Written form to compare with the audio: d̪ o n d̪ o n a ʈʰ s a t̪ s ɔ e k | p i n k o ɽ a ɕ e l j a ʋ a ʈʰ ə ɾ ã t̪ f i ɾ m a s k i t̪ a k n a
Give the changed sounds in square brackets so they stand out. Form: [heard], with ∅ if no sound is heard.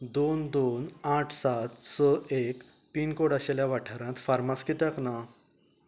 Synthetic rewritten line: d̪ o n d̪ o n a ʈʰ s a t̪ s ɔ e k | p i n k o ɽ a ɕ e l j a ʋ a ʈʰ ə ɾ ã t̪ f [a] ɾ m a s k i t̪ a k n a